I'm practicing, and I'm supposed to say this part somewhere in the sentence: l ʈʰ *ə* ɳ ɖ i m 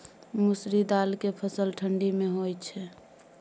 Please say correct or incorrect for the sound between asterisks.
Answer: correct